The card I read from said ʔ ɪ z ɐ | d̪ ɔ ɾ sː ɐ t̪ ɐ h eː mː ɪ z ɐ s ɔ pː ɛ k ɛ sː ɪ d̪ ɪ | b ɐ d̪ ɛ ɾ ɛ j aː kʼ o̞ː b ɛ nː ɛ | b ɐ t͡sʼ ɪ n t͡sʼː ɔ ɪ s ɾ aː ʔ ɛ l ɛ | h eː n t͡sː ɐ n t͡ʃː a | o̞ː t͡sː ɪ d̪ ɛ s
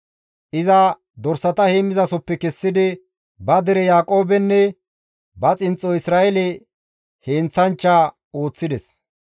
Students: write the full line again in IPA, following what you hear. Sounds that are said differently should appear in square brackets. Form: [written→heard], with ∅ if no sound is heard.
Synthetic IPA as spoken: ʔ ɪ z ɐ | d̪ ɔ ɾ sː ɐ t̪ ɐ h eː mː ɪ z ɐ s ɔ pː ɛ k ɛ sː ɪ d̪ ɪ | b ɐ d̪ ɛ ɾ ɛ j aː kʼ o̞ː b ɛ nː ɛ | b ɐ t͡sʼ ɪ n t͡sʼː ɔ ɪ s ɾ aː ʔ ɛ l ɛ | h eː n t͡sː ɐ n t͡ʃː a | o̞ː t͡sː ɪ d̪ ɛ s